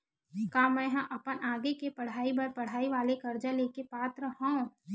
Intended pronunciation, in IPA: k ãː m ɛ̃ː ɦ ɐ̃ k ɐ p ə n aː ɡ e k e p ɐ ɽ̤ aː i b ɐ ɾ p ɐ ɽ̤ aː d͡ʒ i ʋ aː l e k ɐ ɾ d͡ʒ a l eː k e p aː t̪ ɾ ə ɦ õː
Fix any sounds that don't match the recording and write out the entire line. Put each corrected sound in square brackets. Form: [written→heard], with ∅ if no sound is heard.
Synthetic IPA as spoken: k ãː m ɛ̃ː ɦ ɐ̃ [k→ʔ] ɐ p ə n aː ɡ e k e p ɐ ɽ̤ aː i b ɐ ɾ p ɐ ɽ̤ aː [d͡ʒ→∅] i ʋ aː l e k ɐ ɾ d͡ʒ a l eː k e p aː t̪ ɾ ə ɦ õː